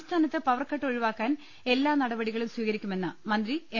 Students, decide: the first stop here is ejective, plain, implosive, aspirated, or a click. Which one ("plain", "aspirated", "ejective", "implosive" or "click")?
aspirated